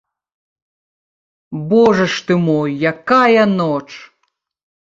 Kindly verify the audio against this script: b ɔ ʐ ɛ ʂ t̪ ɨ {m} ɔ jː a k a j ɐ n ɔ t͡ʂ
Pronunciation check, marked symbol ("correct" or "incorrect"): correct